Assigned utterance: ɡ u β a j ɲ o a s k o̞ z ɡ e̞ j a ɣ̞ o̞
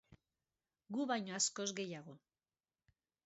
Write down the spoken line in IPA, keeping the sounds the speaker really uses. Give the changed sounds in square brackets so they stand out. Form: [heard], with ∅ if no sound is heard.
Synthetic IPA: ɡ u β a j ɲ o a s k o̞ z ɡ e̞ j a ɣ̞ o̞